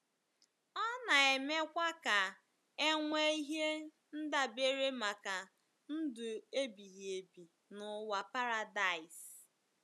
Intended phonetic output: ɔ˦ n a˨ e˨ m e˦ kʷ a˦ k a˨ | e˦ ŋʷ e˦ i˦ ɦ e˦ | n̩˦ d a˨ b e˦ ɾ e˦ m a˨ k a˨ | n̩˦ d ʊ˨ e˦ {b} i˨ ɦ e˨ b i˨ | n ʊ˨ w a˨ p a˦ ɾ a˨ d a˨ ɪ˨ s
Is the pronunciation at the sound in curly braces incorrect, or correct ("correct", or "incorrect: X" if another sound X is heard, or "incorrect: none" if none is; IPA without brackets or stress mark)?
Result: correct